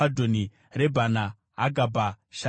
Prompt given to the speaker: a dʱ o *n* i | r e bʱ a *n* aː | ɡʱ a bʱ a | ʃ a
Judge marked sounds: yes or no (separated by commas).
yes, yes